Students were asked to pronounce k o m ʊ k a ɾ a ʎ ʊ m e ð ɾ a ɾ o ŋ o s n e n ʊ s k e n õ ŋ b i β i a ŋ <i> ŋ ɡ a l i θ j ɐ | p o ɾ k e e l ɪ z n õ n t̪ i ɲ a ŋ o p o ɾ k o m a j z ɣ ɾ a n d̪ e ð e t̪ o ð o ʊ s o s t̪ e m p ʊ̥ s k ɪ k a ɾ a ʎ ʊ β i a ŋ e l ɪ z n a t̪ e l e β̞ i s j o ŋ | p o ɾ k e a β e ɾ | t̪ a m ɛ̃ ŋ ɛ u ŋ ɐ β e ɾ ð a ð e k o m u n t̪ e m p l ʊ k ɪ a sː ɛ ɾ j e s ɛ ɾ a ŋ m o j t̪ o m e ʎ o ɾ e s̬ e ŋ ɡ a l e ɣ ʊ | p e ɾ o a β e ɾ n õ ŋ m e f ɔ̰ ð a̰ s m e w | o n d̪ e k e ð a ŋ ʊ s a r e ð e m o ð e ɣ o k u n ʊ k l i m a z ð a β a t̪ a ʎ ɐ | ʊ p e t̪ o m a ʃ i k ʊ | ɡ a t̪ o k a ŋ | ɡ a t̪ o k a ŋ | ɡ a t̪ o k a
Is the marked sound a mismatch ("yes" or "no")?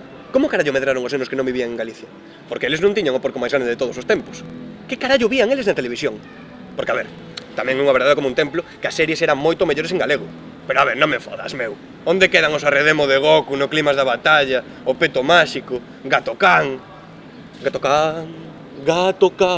yes